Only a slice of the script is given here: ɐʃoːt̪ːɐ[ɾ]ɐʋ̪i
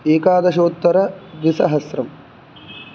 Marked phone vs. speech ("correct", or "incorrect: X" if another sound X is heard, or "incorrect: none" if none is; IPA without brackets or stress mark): correct